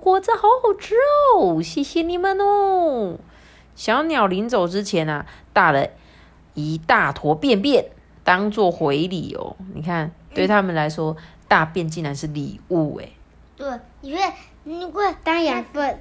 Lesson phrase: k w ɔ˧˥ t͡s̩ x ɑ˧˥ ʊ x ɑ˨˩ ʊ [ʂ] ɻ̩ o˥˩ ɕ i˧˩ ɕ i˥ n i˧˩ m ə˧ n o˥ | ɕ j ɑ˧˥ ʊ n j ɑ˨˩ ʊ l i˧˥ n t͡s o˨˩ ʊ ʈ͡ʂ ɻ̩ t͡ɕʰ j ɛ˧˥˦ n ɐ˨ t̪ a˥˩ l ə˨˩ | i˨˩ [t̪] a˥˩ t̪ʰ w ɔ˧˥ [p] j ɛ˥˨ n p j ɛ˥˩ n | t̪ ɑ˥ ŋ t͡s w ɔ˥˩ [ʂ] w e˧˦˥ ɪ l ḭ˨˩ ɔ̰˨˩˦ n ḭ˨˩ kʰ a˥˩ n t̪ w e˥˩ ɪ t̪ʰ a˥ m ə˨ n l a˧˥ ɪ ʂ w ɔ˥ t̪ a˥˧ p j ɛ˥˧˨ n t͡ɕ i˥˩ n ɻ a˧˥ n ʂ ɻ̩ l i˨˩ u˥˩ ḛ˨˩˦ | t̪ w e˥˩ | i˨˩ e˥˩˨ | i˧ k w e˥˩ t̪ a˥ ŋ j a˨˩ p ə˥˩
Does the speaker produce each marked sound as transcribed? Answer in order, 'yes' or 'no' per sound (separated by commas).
no, yes, yes, no